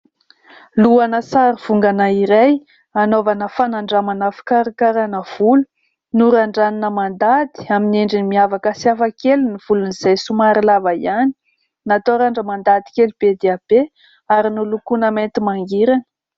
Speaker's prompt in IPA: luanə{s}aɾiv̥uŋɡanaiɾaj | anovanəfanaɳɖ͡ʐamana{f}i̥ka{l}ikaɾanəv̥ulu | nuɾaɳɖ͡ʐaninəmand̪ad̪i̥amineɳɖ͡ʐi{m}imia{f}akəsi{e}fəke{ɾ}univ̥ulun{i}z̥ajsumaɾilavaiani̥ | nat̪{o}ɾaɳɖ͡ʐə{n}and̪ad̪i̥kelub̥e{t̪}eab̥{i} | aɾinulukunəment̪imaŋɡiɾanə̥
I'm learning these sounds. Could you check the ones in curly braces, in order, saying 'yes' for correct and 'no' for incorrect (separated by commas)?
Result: yes, yes, no, no, no, no, no, yes, yes, no, no, no